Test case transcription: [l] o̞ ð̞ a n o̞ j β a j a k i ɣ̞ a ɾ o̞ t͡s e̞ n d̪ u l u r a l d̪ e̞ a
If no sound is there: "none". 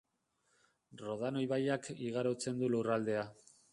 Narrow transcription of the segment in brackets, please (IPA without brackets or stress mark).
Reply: r